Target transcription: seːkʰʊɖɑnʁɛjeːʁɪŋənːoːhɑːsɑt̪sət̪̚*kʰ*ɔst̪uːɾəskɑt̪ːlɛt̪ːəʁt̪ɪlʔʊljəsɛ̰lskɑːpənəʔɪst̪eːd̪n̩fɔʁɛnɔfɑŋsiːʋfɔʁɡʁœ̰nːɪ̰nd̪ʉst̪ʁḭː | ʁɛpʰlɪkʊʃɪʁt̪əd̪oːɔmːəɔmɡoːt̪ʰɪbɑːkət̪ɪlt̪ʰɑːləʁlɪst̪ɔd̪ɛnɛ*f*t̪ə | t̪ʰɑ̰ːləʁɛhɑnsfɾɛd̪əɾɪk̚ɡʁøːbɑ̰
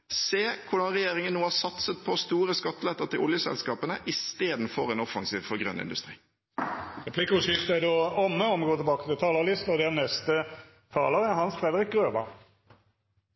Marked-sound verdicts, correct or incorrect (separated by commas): incorrect, incorrect